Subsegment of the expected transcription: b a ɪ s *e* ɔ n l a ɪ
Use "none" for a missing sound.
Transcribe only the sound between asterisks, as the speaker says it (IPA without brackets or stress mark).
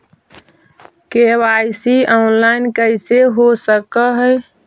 i